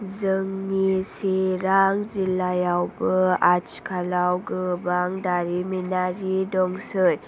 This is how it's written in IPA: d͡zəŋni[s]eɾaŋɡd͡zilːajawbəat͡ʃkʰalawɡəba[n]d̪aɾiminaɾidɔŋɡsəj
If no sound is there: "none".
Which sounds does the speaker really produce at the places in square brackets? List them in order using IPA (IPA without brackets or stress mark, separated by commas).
s, ŋ